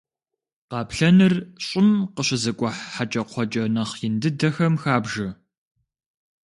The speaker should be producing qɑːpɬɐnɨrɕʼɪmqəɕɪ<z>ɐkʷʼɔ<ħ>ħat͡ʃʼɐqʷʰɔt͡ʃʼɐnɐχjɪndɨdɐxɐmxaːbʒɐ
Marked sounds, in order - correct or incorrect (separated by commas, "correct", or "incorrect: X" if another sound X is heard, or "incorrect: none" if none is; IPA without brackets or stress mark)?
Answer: correct, correct